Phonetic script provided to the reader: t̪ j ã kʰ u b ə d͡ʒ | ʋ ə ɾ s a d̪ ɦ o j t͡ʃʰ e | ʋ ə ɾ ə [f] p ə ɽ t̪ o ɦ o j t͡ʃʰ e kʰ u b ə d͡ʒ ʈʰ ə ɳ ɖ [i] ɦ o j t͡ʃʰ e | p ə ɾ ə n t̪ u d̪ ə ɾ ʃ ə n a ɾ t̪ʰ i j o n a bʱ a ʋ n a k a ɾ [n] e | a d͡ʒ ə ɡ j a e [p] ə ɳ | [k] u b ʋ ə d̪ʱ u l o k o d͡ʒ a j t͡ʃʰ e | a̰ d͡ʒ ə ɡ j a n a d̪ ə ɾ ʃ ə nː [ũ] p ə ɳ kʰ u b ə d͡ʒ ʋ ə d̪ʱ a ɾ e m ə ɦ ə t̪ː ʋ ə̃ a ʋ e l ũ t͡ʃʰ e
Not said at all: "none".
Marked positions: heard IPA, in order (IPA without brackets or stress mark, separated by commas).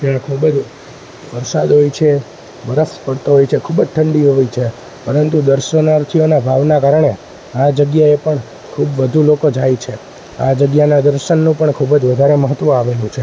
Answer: s, i, ɳ, p, kʰ, ũ